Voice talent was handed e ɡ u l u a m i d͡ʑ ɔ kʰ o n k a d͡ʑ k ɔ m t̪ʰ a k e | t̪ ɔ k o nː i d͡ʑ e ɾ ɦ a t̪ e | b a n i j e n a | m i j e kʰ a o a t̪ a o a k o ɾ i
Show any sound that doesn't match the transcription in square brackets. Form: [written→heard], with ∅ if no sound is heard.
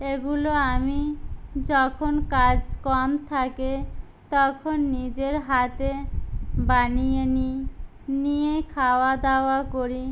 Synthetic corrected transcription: e ɡ u l [u→o] a m i d͡ʑ ɔ kʰ o n k a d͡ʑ k ɔ m t̪ʰ a k e | t̪ ɔ [k→kʰ] o nː i d͡ʑ e ɾ ɦ a t̪ e | b a n i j e n [a→i] | [m→n] i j e kʰ a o a [t̪→d̪] a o a k o ɾ i